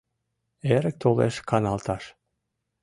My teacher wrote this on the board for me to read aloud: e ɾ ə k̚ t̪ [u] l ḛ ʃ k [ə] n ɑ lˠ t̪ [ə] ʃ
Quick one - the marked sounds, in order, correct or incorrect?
incorrect: o, incorrect: ɑ, incorrect: ɑ

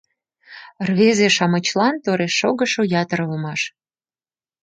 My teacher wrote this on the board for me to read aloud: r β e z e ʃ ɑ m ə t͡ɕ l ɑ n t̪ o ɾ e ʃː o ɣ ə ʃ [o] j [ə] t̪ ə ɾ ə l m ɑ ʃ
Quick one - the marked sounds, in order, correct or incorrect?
correct, incorrect: ɑ

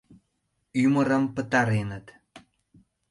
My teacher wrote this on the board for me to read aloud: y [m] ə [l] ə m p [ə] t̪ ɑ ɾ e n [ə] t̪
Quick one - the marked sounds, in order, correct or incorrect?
correct, incorrect: ɾ, correct, correct

